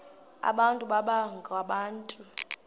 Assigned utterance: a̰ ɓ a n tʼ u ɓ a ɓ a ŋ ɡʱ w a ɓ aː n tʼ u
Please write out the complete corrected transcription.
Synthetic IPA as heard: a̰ ɓ a n tʼ u ɓ a ɓ a ŋ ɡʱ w a ɓ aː n tʼ u